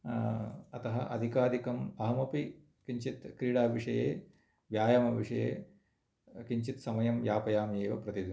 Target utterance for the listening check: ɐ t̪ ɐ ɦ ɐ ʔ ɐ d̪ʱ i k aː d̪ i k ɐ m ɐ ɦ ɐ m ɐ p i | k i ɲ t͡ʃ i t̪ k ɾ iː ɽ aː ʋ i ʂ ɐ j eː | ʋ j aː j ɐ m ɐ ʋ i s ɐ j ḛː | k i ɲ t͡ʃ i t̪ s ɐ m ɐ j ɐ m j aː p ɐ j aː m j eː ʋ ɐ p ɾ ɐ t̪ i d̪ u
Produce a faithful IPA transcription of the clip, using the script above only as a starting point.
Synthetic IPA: ɐ t̪ ɐ ɦ ɐ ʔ ɐ d̪ʱ i k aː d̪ i k ɐ m ɐ ɦ ɐ m ɐ p i | k i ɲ t͡ʃ i t̪ k ɾ iː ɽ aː ʋ i ʂ ɐ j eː | ʋ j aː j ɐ m ɐ ʋ i ʂ ɐ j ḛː | k i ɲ t͡ʃ i t̪ s ɐ m ɐ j ɐ m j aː p ɐ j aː m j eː ʋ ɐ p ɾ ɐ t̪ i d̪ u